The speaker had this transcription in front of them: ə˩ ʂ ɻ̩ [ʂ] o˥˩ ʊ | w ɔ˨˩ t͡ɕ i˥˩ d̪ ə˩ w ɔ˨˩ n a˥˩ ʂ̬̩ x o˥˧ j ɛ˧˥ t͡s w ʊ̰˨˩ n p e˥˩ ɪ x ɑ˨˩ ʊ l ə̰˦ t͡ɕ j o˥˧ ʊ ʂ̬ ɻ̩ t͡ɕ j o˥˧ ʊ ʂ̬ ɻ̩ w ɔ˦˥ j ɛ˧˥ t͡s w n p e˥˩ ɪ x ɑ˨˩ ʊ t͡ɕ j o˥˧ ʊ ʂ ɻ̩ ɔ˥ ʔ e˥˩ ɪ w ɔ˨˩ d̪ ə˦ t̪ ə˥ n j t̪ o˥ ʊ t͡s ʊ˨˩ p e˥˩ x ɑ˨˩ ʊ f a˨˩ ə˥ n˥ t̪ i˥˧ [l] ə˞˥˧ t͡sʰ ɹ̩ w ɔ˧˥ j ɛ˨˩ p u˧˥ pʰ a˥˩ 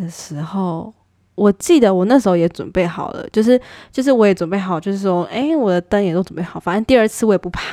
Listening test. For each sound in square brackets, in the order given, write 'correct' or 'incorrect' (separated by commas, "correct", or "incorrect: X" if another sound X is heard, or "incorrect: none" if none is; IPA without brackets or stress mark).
incorrect: x, incorrect: none